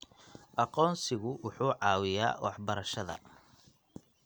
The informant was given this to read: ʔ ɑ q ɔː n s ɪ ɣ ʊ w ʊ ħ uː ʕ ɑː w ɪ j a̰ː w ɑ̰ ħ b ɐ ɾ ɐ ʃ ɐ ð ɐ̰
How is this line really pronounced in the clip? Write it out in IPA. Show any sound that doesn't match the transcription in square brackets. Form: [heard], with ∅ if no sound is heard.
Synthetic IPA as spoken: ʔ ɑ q ɔː n s ɪ ɣ ʊ w ʊ ħ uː ʕ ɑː w ɪ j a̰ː w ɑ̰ ħ b ɐ ɾ ɐ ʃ ɐ ð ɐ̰